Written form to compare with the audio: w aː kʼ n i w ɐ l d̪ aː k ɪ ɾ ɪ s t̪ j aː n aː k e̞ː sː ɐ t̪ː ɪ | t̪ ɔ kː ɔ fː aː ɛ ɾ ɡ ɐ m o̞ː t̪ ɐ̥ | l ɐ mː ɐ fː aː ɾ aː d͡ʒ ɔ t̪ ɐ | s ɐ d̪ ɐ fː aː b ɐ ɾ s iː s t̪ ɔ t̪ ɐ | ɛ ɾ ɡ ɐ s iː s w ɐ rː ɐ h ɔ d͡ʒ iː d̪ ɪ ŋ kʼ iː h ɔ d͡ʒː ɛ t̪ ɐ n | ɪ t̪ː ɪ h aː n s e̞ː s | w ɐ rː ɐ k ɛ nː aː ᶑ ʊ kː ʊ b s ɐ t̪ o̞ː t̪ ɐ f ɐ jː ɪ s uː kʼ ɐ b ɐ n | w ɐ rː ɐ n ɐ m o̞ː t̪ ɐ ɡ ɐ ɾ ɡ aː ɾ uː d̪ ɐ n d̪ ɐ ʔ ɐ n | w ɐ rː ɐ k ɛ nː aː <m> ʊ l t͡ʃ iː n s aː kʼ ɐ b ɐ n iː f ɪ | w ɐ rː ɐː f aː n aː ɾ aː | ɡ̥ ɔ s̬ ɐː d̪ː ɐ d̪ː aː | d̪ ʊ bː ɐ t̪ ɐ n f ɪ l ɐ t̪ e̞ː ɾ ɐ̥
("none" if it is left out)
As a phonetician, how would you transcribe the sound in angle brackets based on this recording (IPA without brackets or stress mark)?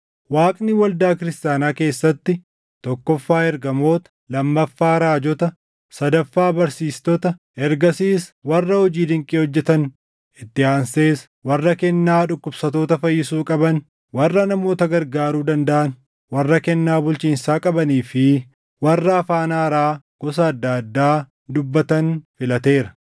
b